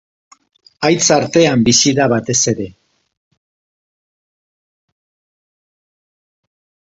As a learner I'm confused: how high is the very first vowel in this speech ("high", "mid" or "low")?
low